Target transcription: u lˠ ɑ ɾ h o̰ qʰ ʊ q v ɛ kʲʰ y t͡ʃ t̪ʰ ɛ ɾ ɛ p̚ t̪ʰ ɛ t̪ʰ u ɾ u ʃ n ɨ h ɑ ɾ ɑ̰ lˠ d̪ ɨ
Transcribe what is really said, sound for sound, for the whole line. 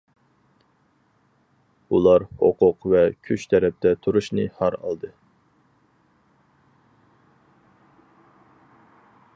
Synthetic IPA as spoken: u lˠ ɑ ɾ h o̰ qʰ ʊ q v ɛ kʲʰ y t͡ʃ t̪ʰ ɛ ɾ ɛ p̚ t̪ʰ ɛ t̪ʰ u ɾ u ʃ n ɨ h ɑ ɾ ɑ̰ lˠ d̪ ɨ

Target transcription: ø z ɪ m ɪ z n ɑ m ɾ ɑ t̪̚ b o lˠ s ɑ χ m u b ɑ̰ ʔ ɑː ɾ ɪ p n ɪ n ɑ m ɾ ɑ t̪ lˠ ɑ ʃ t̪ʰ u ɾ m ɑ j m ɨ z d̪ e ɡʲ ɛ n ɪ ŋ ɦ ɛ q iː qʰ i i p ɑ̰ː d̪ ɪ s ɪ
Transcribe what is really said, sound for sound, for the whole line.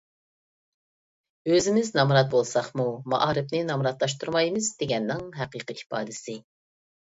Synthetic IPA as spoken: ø z ɪ m ɪ z n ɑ m ɾ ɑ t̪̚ b o lˠ s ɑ χ m u m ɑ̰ ʔ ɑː ɾ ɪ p n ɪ n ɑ m ɾ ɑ t̪ lˠ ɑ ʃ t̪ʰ u ɾ m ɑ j m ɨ z d̪ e ɡʲ ɛ nː ɪ ŋ ɦ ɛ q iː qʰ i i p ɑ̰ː d̪ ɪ s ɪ

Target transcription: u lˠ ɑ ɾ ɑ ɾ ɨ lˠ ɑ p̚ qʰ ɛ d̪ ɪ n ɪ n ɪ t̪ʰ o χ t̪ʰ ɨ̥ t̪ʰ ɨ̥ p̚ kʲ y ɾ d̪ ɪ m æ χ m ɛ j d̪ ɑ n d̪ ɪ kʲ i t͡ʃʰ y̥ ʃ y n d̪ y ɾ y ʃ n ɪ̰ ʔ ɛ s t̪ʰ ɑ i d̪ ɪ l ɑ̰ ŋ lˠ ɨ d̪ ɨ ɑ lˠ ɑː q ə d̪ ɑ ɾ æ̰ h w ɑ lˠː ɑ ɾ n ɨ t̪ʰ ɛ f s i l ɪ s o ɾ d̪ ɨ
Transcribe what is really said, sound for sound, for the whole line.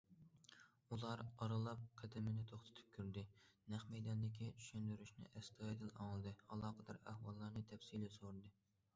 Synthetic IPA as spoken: u lˠ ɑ ɾ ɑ ɾ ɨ lˠ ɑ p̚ qʰ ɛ d̪ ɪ m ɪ n ɪ t̪ʰ o χ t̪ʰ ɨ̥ t̪ʰ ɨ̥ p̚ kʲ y ɾ d̪ ɪ n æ χ m ɛ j d̪ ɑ n d̪ ɪ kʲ i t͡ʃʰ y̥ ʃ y n d̪ y ɾ y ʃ n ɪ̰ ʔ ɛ s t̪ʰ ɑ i d̪ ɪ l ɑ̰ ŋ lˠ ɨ d̪ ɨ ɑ lˠ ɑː q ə d̪ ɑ ɾ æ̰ h w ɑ lˠː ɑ ɾ n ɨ t̪ʰ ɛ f s i l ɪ s o ɾ d̪ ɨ

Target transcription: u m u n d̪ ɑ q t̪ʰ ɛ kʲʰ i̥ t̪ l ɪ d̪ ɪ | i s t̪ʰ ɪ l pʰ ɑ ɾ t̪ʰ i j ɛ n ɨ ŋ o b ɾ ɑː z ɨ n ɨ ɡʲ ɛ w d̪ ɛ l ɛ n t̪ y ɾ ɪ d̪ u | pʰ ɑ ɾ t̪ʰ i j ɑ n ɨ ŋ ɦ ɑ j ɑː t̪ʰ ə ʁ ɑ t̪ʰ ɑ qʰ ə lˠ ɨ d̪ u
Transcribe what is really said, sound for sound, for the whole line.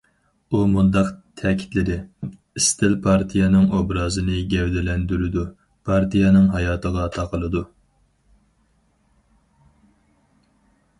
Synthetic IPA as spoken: u m u n d̪ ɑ q t̪ʰ ɛ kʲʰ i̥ t̪ l ɪ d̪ ɪ | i s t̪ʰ ɪ l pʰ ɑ ɾ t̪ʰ i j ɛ n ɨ ŋ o b ɾ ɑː z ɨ n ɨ ɡʲ ɛ w d̪ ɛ l ɛ n d̪ y ɾ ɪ d̪ u | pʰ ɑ ɾ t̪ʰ i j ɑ n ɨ ŋ ɦ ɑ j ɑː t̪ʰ ə ʁ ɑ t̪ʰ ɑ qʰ ə lˠ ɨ d̪ u

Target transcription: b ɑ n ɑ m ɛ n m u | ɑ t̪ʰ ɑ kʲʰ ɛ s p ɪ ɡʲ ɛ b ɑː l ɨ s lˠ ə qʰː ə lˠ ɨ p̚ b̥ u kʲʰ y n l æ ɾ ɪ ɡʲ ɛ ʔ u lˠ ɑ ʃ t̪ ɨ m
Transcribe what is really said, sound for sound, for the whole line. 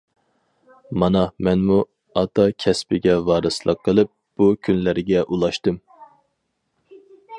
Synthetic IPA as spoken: m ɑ n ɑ m ɛ n m u | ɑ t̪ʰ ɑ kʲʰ ɛ s p ɪ ɡʲ ɛ v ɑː ɾ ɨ s lˠ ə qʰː ə lˠ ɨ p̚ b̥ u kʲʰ y n l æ ɾ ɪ ɡʲ ɛ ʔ u lˠ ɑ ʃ t̪ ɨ m

